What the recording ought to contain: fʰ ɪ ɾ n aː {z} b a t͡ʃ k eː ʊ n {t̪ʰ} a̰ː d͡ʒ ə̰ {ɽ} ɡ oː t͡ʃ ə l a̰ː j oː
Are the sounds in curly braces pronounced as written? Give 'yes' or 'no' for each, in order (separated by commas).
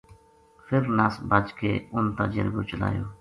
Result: no, no, no